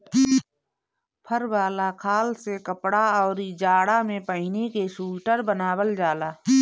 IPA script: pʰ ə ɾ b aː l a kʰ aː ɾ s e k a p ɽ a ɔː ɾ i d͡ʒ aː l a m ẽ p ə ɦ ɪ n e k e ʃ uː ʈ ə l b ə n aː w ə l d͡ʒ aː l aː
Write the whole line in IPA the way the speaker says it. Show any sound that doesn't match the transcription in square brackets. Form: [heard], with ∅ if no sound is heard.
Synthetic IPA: pʰ ə ɾ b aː l a kʰ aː [l] s e k [ə] p ɽ a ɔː ɾ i d͡ʒ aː [ɽ] a m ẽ p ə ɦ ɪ n e k e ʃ uː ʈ ə [ɾ] b ə n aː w ə l d͡ʒ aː l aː